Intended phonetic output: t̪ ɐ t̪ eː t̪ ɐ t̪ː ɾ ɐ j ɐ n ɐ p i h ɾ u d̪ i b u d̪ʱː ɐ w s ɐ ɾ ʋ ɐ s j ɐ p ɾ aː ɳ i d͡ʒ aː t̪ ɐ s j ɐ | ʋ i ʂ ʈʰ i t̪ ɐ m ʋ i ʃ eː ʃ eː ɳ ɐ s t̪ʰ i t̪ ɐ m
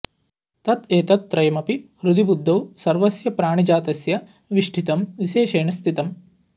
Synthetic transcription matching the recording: t̪ ɐ t̪ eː t̪ ɐ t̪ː ɾ ɐ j ɐ m ɐ p i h ɾ u d̪ i b u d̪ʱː ɐ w s ɐ ɾ ʋ ɐ s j ɐ p ɾ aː ɳ i d͡ʒ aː t̪ ɐ s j ɐ | ʋ i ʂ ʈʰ i t̪ ɐ m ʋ i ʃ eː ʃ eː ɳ ɐ s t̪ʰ i t̪ ɐ m

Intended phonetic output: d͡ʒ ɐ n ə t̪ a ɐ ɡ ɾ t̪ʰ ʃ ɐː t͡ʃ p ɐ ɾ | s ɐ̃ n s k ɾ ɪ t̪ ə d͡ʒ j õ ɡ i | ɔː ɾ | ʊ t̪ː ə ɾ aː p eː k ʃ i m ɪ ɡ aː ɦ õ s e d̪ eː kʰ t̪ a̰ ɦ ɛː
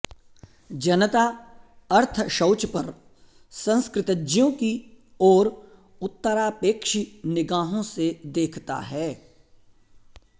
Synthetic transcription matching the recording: d͡ʒ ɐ n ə t̪ a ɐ ɾ t̪ʰ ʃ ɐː t͡ʃ p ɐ ɾ | s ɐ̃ n s k ɾ ɪ t̪ ə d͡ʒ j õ k i | ɔː ɾ | ʊ t̪ː ə ɾ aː p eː k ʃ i n ɪ ɡ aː ɦ õ s e d̪ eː kʰ t̪ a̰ ɦ ɛː

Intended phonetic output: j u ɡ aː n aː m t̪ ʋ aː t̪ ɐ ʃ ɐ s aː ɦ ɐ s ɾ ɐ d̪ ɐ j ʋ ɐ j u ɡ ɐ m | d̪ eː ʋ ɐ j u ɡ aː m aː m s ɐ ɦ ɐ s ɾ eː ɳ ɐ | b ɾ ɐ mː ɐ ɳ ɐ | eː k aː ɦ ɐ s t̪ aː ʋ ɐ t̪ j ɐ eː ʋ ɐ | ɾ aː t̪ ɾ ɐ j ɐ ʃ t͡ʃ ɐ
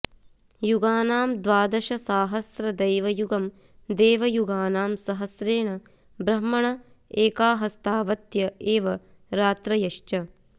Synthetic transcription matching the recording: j u ɡ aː n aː m d̪ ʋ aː d̪ ɐ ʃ ɐ s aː ɦ ɐ s ɾ ɐ d̪ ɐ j ʋ ɐ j u ɡ ɐ m | d̪ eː ʋ ɐ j u ɡ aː n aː m s ɐ ɦ ɐ s ɾ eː ɳ ɐ | b ɾ ɐ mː ɐ ɳ ɐ | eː k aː ɦ ɐ s t̪ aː ʋ ɐ t̪ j ɐ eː ʋ ɐ | ɾ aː t̪ ɾ ɐ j ɐ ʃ t͡ʃ ɐ

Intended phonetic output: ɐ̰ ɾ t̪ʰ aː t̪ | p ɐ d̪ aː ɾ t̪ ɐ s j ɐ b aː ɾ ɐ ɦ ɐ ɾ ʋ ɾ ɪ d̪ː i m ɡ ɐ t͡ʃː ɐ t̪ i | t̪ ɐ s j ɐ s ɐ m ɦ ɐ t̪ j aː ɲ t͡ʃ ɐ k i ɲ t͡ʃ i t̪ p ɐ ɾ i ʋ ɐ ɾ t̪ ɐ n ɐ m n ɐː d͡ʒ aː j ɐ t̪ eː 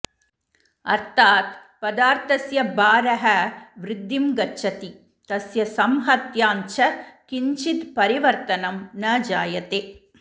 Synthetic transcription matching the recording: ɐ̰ ɾ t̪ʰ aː t̪ | p ɐ d̪ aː ɾ t̪ ɐ s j ɐ b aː ɾ ɐ ɦ ɐ ʋ ɾ ɪ d̪ː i m ɡ ɐ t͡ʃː ɐ t̪ i | t̪ ɐ s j ɐ s ɐ m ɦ ɐ t̪ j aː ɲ t͡ʃ ɐ k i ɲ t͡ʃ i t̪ p ɐ ɾ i ʋ ɐ ɾ t̪ ɐ n ɐ m n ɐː d͡ʒ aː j ɐ t̪ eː

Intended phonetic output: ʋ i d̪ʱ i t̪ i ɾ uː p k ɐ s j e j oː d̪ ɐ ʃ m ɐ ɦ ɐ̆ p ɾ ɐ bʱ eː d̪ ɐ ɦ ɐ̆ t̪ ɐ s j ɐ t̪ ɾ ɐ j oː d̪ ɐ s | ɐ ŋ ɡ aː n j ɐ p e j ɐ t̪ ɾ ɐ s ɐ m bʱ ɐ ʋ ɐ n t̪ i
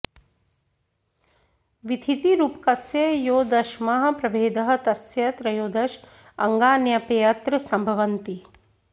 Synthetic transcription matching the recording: ʋ i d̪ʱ i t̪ i ɾ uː p k ɐ s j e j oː d̪ ɐ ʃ m ɐ ɦ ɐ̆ p ɾ ɐ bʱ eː d̪ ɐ ɦ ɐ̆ t̪ ɐ s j ɐ t̪ ɾ ɐ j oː d̪ ɐ ʃ | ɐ ŋ ɡ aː n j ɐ p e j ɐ t̪ ɾ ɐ s ɐ m bʱ ɐ ʋ ɐ n t̪ i

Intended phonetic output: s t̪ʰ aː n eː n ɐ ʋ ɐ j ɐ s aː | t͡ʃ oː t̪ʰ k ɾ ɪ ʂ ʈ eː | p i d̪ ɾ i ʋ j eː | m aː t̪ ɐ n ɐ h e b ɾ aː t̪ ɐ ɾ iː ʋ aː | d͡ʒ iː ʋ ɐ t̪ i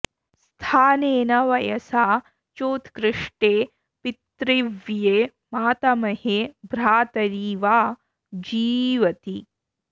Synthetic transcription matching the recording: s t̪ʰ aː n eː n ɐ ʋ ɐ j ɐ s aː | t͡ʃ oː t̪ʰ k ɾ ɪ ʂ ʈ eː | p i t̪ ɾ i ʋ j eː | m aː t̪ ɐ m ɐ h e b ɾ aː t̪ ɐ ɾ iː ʋ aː | d͡ʒ iː ʋ ɐ t̪ i

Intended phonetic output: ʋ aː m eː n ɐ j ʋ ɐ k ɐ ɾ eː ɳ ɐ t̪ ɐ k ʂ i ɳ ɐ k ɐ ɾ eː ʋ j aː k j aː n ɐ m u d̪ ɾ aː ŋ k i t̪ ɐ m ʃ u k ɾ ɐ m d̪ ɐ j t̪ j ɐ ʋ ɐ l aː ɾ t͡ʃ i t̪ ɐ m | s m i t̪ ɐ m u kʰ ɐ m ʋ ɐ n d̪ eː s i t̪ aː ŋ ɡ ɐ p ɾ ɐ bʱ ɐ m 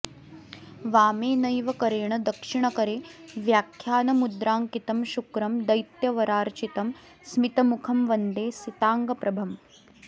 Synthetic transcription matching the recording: ʋ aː m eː n ɐ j ʋ ɐ k ɐ ɾ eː ɳ ɐ d̪ ɐ k ʂ i ɳ ɐ k ɐ ɾ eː ʋ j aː kʰ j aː n ɐ m u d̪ ɾ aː ŋ k i t̪ ɐ m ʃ u k ɾ ɐ m d̪ ɐ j t̪ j ɐ ʋ ɐ ɾ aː ɾ t͡ʃ i t̪ ɐ m | s m i t̪ ɐ m u kʰ ɐ m ʋ ɐ n d̪ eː s i t̪ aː ŋ ɡ ɐ p ɾ ɐ bʱ ɐ m

